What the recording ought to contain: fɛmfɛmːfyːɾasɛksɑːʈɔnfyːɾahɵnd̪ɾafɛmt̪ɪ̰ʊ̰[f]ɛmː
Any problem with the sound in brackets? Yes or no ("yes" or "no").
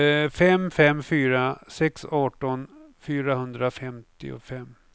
no